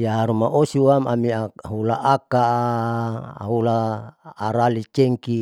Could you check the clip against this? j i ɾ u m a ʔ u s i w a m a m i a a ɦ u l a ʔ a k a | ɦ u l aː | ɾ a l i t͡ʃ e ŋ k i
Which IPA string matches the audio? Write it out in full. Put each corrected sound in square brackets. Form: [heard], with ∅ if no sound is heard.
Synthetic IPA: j [a] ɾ u m a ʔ [o] s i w a m a m i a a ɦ u l a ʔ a k a | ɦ u l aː | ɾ a l i t͡ʃ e ŋ k i